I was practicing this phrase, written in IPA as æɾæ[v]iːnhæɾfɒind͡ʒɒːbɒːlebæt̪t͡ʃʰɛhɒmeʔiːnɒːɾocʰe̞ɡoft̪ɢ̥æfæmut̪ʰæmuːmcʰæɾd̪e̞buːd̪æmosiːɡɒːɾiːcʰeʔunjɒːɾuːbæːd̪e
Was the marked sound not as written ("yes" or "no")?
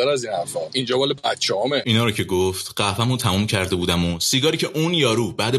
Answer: yes